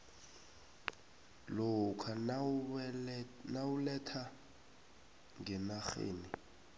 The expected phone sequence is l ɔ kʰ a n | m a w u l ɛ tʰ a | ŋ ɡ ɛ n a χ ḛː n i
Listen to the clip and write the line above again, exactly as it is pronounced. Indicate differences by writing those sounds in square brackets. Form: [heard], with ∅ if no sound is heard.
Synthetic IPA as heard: l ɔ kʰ a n | [n] a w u l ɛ tʰ a | ŋ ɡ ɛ n a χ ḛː n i